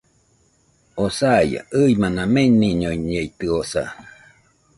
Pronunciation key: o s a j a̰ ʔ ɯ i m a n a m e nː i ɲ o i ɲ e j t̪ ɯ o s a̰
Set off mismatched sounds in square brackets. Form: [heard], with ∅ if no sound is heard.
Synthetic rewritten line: o s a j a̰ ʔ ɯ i m a n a m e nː i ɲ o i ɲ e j t̪ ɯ o s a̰

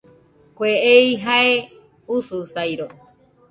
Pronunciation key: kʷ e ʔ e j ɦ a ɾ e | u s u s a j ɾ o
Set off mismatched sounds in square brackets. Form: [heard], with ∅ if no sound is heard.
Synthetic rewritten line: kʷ e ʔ e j ɦ a [∅] e | u s u s a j ɾ o

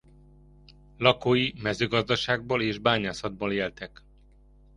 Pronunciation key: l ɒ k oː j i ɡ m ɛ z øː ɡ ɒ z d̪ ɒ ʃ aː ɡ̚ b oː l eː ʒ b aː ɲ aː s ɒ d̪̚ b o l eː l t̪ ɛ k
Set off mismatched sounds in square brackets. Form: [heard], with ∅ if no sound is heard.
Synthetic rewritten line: l ɒ k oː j i [∅] m ɛ z øː ɡ ɒ z d̪ ɒ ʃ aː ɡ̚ b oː l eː ʒ b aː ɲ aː s ɒ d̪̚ b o l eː l t̪ ɛ k

